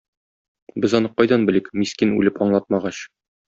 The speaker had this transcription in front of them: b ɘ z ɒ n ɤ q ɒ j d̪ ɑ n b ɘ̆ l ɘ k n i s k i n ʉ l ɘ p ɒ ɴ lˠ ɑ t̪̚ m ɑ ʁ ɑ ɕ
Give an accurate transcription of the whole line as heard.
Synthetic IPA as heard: b ɘ z ɒ n ɤ q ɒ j d̪ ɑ n b ɘ̆ l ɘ k m i s k i n ʉ l ɘ p ɒ ɴ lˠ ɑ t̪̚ m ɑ ʁ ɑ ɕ